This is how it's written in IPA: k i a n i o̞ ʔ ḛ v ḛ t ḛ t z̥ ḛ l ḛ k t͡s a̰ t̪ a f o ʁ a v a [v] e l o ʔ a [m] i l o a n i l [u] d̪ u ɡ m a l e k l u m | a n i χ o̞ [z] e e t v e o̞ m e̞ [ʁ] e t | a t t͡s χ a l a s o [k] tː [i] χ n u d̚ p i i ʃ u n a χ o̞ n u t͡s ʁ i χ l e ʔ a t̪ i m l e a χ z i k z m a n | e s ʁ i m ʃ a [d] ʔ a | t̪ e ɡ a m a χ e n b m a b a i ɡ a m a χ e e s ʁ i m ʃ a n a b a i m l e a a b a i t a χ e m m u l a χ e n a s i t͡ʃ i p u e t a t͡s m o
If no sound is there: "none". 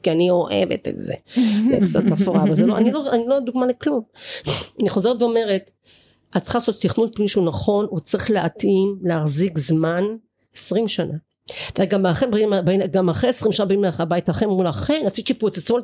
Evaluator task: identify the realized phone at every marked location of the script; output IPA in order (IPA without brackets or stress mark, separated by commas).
z, n, o, z, ʁ, t, i, n